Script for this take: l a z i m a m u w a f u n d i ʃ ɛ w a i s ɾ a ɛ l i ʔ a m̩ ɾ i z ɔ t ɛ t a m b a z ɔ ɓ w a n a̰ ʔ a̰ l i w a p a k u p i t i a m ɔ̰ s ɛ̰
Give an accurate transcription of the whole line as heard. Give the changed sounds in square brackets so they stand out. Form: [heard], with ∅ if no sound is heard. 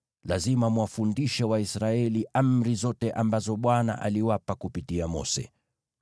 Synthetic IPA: l a z i m a m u w a f u n d i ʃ ɛ w a i s ɾ a ɛ l i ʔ a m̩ ɾ i z ɔ t ɛ [ʔ] a m b a z ɔ ɓ w a n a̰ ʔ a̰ l i w a p a k u p i t i a m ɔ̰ s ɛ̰